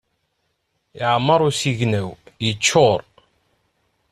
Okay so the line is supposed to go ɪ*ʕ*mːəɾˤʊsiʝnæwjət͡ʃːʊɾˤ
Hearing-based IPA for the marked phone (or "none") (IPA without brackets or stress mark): ʕ